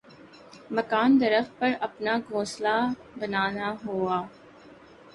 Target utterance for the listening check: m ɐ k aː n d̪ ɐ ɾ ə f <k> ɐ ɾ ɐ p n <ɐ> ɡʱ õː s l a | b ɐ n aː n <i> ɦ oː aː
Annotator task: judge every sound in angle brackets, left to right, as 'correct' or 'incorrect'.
incorrect, incorrect, incorrect

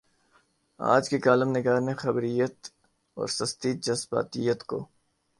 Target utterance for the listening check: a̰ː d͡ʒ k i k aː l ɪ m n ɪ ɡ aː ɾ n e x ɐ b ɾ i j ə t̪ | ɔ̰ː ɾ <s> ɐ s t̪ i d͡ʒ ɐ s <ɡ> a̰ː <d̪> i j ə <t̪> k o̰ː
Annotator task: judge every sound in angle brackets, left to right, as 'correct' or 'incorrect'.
correct, incorrect, incorrect, correct

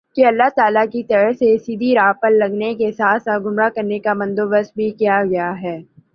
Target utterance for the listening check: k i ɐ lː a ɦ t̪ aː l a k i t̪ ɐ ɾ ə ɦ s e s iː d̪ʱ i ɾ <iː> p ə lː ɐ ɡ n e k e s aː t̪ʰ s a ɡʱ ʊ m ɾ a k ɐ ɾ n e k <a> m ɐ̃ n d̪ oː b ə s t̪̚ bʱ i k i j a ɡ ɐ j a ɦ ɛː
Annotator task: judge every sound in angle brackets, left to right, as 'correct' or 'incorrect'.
incorrect, correct

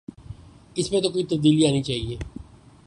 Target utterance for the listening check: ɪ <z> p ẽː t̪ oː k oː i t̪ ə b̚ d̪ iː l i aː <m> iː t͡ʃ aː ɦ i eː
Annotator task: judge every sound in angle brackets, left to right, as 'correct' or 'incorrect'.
incorrect, incorrect

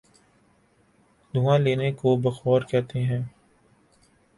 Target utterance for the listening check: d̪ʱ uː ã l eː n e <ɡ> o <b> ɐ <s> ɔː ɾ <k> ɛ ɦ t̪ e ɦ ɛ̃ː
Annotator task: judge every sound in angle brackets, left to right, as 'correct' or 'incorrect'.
incorrect, correct, incorrect, correct

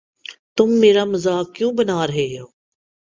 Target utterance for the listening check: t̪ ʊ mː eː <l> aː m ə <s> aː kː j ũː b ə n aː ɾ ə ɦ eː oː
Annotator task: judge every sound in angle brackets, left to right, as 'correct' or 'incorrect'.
incorrect, incorrect

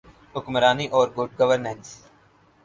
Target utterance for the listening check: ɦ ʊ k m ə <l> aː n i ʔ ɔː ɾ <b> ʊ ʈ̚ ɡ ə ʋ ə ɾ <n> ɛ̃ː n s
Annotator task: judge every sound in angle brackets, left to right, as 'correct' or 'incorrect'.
incorrect, incorrect, correct

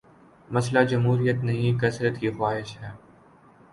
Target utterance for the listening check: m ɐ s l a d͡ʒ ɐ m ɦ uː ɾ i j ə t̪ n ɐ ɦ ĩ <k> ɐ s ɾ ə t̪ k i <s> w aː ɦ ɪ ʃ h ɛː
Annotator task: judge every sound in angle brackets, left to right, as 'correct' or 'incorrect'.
correct, incorrect

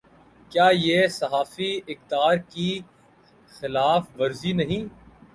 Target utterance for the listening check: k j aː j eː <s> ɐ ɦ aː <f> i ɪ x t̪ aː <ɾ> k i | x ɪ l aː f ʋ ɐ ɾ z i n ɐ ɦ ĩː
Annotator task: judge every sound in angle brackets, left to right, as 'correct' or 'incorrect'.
correct, correct, correct

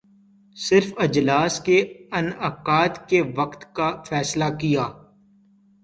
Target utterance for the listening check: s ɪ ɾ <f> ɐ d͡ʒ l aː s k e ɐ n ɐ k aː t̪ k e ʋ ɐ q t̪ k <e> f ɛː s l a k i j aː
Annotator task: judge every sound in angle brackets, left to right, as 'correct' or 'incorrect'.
correct, incorrect

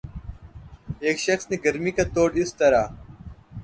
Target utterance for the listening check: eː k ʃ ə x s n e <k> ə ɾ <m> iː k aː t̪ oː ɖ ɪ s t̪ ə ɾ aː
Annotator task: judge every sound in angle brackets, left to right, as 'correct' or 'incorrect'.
incorrect, correct

